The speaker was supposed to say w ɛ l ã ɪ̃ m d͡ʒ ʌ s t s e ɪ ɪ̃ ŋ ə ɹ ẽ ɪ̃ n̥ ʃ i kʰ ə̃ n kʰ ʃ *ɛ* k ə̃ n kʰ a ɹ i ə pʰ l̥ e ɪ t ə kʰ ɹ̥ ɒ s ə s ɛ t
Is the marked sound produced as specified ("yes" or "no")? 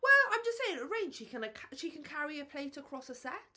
no